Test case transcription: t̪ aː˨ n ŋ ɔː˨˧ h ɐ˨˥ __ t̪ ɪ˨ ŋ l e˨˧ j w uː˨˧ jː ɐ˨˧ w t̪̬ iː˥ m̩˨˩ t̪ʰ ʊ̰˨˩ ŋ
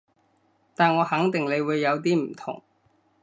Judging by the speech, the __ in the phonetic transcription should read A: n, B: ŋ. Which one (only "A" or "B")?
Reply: B